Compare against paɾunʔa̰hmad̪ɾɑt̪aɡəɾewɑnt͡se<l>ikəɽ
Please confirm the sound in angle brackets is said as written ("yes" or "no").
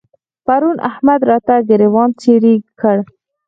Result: no